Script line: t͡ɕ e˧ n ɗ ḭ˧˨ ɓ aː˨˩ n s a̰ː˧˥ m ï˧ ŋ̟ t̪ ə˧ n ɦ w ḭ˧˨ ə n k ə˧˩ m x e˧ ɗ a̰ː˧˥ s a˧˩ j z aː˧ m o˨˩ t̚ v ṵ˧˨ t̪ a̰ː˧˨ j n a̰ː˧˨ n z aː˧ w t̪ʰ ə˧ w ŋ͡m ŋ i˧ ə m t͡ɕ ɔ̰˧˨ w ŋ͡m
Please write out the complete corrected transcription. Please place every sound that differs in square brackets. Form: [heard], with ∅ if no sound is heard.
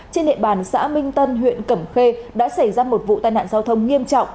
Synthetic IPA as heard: t͡ɕ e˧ n ɗ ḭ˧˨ ɓ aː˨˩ n s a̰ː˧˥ m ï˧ ŋ̟ t̪ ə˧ n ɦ w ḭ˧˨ ə n k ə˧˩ m x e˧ ɗ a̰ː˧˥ s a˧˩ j z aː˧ m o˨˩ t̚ v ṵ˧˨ t̪ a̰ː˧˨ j n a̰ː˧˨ n z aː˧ w t̪ʰ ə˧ w ŋ͡m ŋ i˧ ə m t͡ɕ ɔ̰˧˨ w ŋ͡m